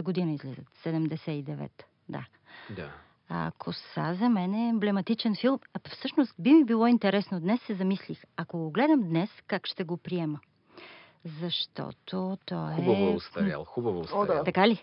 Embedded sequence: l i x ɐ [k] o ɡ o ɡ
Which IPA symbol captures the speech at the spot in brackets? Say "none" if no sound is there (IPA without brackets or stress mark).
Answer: k